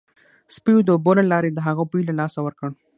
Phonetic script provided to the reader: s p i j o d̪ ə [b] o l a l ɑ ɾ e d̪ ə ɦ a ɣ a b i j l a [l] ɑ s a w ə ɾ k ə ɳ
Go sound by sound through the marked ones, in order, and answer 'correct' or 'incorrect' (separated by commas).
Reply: correct, correct